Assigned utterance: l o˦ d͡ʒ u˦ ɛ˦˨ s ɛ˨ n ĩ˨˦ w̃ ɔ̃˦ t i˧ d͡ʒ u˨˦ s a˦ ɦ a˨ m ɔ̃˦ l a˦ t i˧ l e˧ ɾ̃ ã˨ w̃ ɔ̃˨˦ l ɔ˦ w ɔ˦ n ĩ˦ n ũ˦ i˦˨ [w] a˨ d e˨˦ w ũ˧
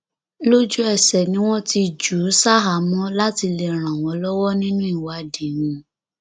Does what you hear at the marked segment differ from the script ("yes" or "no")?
no